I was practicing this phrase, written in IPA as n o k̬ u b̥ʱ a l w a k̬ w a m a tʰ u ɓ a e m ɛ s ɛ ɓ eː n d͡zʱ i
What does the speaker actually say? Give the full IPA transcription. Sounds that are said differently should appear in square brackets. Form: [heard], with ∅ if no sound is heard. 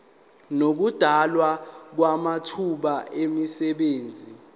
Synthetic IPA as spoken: n o k̬ u [d̥ʱ] a l w a k̬ w a m a tʰ u ɓ a e m [i] s ɛ ɓ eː n d͡zʱ i

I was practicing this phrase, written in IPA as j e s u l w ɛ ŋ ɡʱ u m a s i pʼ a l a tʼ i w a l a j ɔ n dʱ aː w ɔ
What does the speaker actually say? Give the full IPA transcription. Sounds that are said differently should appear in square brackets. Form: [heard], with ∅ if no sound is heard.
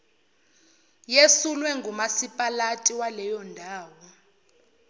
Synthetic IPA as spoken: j e s u l w ɛ ŋ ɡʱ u m a s i pʼ a l a tʼ i w a l [ɛ] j ɔ n dʱ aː w ɔ

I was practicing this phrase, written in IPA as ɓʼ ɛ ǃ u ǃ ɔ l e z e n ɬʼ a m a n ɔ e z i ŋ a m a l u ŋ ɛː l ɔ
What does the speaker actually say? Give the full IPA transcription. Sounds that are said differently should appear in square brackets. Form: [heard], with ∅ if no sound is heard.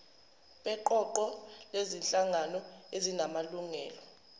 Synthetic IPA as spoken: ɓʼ ɛ ǃ [ɔ] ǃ ɔ l e z [i] n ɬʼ a [ŋ] a n ɔ e z i [n] a m a l u ŋ ɛː l ɔ

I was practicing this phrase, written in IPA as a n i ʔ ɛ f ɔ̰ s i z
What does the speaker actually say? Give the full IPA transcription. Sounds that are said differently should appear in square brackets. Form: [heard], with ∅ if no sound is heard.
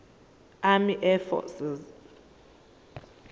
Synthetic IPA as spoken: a [m] i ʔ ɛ f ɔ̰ s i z

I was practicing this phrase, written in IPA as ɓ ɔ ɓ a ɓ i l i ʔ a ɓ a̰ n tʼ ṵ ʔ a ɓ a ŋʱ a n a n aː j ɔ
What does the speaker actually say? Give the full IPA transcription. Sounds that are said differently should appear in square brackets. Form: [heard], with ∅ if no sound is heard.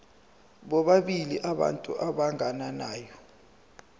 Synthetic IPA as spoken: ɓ ɔ ɓ a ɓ i l i ʔ a ɓ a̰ n tʼ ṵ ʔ a ɓ a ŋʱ a n a n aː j ɔ

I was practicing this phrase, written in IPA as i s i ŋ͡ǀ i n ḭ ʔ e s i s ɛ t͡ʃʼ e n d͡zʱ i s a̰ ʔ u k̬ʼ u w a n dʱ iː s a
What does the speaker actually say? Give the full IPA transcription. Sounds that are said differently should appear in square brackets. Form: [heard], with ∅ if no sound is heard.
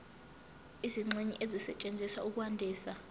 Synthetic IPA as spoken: i [z] i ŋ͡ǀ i [ɲ] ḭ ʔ e [z] i s ɛ t͡ʃʼ e n d͡zʱ i s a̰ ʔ u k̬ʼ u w a n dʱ iː s a

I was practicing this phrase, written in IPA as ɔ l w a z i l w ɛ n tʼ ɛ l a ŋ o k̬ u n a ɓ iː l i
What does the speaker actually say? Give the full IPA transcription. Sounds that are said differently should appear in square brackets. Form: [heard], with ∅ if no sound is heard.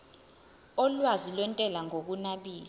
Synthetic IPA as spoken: ɔ l w a z i l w ɛ n tʼ ɛ l a ŋ o k̬ u n a ɓ iː l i

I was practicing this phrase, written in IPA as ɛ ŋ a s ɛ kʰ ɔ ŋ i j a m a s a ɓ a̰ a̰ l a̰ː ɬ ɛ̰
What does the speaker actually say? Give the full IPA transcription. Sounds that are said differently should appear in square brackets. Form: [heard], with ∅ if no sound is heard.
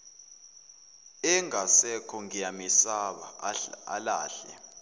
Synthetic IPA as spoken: ɛ ŋ a s ɛ kʰ ɔ ŋ i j a m [i] s a ɓ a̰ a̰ l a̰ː ɬ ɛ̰

